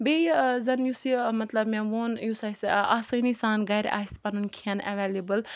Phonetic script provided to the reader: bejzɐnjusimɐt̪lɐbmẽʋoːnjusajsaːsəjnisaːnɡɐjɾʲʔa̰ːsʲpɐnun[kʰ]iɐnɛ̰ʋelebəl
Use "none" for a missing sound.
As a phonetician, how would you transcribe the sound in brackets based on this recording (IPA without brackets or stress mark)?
kʰ